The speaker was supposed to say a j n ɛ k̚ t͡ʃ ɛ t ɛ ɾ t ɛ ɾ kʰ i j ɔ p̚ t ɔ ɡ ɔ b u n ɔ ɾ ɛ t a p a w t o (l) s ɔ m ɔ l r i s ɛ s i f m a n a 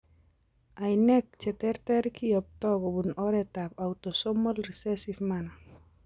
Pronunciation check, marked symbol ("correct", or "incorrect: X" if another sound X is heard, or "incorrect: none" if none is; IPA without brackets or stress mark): incorrect: none